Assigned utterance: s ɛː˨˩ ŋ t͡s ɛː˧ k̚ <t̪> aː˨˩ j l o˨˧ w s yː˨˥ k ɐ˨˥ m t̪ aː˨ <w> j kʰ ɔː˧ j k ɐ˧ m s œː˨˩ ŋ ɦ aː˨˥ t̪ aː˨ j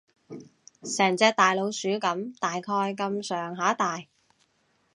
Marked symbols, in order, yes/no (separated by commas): yes, no